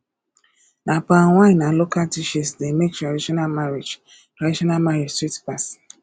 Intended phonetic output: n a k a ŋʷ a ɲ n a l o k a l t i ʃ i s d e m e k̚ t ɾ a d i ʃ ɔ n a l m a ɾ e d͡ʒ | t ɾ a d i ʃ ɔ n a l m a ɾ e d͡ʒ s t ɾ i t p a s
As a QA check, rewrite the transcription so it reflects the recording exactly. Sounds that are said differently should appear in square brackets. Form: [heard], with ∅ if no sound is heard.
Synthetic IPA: n a [p] a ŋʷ a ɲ n a l o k a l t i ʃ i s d e m e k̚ t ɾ a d i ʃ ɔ n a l m a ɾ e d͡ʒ | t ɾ a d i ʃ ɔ n a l m a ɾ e d͡ʒ s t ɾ i t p a s